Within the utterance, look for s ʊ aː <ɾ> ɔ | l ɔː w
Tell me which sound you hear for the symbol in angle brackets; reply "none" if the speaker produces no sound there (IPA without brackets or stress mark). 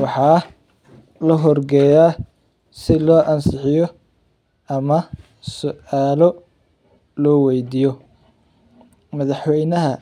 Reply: l